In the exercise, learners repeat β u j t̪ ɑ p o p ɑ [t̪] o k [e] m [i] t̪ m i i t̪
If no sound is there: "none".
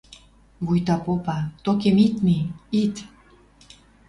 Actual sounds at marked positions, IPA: t̪, e, i

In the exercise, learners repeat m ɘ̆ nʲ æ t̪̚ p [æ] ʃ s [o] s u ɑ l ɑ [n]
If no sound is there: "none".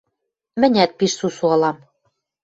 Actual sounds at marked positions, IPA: i, u, m

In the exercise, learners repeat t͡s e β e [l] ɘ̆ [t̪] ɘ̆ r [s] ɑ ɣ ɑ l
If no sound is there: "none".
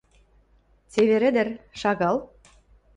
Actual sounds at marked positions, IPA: ɾ, d̪, ʃ

